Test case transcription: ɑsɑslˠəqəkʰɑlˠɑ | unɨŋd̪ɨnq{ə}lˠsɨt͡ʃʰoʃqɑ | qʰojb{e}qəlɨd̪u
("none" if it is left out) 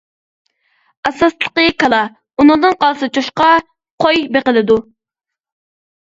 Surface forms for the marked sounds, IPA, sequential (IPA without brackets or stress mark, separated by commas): ɑ, e